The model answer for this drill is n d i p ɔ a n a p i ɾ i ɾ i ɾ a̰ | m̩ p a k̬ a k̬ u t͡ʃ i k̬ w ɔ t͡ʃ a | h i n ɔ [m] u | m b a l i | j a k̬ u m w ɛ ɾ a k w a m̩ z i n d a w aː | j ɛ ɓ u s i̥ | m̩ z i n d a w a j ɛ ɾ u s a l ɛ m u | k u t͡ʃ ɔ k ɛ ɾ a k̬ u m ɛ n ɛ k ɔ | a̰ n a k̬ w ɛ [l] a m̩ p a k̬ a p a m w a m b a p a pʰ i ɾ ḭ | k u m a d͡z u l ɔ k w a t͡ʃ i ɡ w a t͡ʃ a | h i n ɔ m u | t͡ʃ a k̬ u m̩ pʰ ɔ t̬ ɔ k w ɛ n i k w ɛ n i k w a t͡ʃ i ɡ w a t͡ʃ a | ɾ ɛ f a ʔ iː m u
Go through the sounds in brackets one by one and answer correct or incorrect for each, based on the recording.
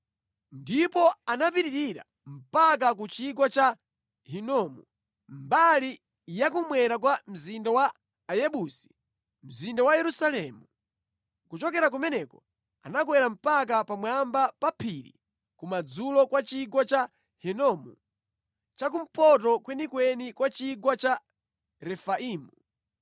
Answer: correct, incorrect: ɾ

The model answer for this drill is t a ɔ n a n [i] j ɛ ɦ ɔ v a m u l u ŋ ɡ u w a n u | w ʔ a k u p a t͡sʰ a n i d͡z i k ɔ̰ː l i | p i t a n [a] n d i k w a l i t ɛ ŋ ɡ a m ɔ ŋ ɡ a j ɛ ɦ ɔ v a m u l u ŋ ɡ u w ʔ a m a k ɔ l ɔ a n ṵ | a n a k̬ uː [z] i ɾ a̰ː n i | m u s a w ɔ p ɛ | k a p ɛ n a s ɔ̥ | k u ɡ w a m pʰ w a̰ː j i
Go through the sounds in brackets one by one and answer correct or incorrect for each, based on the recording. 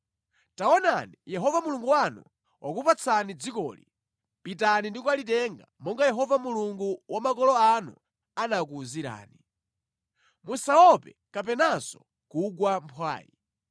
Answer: correct, incorrect: i, correct

